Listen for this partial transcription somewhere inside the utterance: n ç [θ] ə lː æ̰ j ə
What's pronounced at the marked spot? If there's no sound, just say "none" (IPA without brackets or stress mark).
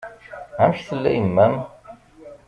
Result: θ